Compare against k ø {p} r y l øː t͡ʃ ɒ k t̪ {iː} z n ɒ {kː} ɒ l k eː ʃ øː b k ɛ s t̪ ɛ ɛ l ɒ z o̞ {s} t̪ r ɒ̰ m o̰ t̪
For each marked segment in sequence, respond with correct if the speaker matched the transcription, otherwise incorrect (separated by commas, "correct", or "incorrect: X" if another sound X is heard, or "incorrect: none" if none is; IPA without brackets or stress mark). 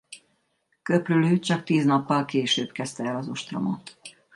correct, correct, incorrect: pː, incorrect: ʃ